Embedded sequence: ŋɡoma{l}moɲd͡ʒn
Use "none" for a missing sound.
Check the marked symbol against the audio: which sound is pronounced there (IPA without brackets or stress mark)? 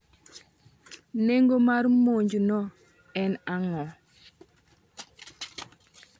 ɾ